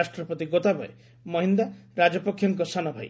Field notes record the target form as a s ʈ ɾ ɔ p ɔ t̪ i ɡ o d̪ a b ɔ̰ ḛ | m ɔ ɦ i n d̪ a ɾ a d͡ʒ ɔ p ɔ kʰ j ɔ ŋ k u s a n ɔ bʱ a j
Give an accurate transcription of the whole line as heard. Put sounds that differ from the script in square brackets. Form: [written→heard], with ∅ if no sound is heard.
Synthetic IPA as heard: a s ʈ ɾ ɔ p ɔ t̪ i ɡ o [d̪→t̪] a b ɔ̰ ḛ | m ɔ ɦ i n d̪ a ɾ a d͡ʒ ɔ p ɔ kʰ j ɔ ŋ k [u→ɔ] s a n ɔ bʱ a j

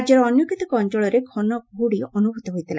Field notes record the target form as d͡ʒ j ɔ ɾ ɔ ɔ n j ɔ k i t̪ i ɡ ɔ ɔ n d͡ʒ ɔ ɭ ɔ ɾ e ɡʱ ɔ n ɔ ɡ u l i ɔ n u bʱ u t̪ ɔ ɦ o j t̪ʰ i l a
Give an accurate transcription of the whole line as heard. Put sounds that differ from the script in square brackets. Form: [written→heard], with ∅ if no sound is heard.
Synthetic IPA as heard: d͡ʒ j ɔ ɾ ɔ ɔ n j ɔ k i t̪ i [ɡ→k] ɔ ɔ n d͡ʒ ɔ ɭ ɔ ɾ e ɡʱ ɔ n ɔ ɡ u [l→ɽ] i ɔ n u bʱ u t̪ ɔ ɦ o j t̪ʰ i l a

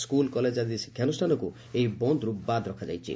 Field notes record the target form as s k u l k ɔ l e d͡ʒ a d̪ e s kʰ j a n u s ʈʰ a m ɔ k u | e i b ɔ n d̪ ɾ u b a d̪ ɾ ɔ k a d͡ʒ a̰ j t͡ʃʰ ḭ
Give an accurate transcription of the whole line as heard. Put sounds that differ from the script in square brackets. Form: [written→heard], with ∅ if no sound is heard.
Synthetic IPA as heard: s k u l k ɔ l e d͡ʒ a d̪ [e→i] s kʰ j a n u s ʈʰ a [m→n] ɔ k u | e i b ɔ n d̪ ɾ u b a d̪ ɾ ɔ [k→kʰ] a d͡ʒ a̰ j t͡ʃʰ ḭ

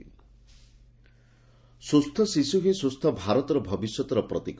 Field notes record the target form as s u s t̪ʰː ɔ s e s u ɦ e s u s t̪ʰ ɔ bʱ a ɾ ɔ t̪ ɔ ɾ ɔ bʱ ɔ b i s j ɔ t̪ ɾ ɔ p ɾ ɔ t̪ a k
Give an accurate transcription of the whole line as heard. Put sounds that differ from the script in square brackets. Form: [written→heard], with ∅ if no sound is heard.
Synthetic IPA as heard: s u s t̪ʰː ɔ s [e→i] s u ɦ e s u s t̪ʰ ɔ bʱ a ɾ ɔ t̪ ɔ ɾ ɔ bʱ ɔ b i s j ɔ t̪ ɾ ɔ p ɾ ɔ t̪ [a→i] k

